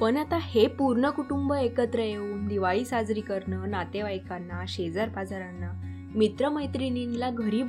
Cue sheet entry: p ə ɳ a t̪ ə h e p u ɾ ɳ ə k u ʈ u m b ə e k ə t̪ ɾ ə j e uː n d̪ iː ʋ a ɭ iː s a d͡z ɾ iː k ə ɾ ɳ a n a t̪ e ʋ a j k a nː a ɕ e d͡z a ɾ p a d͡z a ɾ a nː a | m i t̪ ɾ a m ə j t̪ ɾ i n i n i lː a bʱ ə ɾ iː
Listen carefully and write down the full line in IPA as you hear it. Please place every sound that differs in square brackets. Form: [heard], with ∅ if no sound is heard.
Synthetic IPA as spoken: p ə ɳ a t̪ [a] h e p u ɾ ɳ ə k u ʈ u m b ə e k ə t̪ ɾ ə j e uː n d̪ [i] ʋ a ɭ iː s a d͡z ɾ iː k ə ɾ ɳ [ə] n a t̪ e ʋ a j k a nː a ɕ e d͡z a ɾ p a d͡z a ɾ a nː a | m i t̪ ɾ [ə] m ə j t̪ ɾ i n i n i [l] a [ɡʱ] ə ɾ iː